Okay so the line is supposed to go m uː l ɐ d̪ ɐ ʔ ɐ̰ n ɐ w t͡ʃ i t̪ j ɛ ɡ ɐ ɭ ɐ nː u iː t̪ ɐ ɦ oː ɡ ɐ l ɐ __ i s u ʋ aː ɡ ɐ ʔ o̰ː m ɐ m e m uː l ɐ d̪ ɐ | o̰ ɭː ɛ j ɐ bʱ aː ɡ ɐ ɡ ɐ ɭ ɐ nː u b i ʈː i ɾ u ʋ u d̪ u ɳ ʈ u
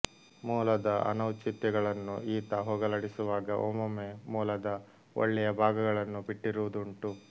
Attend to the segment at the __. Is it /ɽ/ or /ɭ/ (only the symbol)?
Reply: ɽ